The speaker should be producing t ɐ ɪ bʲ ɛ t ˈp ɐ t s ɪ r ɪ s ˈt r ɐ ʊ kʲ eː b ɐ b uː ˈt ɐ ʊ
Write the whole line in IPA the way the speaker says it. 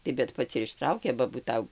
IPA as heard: t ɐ ɪ bʲ ɛ t ˈp ɐ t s ɪ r ɪ ʃ ˈt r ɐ ʊ kʲ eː b ɐ b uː ˈt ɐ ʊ